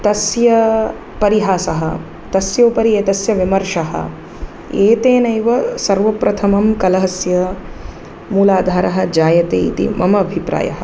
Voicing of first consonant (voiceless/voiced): voiceless